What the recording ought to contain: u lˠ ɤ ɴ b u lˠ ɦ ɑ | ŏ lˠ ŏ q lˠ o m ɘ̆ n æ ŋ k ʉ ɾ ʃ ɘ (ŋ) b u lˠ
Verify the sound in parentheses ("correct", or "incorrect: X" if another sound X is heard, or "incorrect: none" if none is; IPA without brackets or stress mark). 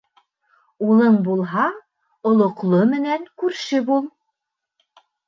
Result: incorrect: none